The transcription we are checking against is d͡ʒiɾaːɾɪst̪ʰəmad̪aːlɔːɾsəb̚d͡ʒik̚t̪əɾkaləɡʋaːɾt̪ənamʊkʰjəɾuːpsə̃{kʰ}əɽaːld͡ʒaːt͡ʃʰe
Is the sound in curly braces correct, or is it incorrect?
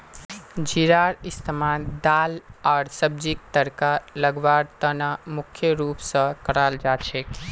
incorrect